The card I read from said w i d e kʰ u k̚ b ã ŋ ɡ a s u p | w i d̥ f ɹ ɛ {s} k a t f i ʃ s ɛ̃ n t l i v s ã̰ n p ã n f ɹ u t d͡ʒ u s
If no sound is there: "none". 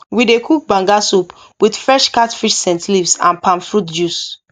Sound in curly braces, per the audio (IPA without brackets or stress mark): ʃ